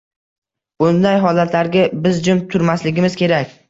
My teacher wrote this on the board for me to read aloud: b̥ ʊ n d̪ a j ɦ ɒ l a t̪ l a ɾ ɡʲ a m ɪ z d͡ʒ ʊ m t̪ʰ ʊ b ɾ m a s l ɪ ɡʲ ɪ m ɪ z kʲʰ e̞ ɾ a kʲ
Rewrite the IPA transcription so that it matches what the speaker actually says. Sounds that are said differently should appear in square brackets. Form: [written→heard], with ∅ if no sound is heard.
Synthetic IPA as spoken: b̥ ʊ n d̪ a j ɦ ɒ l a t̪ l a ɾ ɡʲ a [m→b] ɪ z d͡ʒ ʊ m t̪ʰ ʊ [b→∅] ɾ m a s l ɪ ɡʲ ɪ m ɪ z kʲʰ e̞ ɾ a kʲ

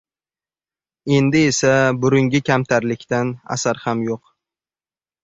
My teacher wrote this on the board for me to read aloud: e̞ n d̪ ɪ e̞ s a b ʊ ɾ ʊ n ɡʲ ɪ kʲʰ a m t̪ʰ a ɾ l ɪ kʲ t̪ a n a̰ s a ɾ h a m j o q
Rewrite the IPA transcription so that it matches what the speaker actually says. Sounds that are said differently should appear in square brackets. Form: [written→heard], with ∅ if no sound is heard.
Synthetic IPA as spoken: e̞ n d̪ ɪ e̞ s a b ʊ ɾ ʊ [n→ŋ] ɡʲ ɪ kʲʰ a m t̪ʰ a ɾ l ɪ kʲ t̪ a n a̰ s a ɾ h a m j o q

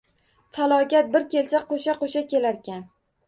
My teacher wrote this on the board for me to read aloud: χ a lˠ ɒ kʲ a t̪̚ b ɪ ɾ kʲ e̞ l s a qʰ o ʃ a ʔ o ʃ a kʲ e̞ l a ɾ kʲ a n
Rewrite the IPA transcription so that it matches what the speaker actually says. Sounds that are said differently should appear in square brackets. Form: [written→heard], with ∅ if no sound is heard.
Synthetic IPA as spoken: [χ→f] a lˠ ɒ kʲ a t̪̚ b ɪ ɾ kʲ e̞ l s a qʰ o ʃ a [ʔ→q] o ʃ a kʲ e̞ l a ɾ kʲ a n

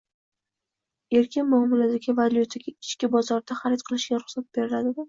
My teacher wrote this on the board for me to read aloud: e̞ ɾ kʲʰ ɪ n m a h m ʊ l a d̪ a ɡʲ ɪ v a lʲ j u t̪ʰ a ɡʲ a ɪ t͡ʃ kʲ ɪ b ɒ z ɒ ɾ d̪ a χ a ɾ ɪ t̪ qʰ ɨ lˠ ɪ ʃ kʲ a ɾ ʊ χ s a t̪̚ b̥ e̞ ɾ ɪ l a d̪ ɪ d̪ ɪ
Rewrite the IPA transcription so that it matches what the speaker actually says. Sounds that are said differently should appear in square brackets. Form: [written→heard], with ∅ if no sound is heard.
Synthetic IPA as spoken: e̞ ɾ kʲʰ ɪ n m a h m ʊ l a d̪ a ɡʲ ɪ v a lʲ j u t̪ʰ a ɡʲ a ɪ t͡ʃ kʲ ɪ b ɒ z ɒ ɾ d̪ a χ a ɾ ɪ t̪ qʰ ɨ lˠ ɪ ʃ [kʲ→ɡʲ] a ɾ ʊ χ s a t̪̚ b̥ e̞ ɾ ɪ l a d̪ ɪ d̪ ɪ

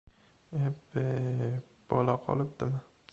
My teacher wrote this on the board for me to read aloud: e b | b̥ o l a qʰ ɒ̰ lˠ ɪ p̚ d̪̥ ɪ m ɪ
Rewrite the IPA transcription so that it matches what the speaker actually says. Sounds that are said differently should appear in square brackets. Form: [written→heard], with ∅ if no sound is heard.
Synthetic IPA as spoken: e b | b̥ [o→ɒ] l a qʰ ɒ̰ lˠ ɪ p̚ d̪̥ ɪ m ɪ

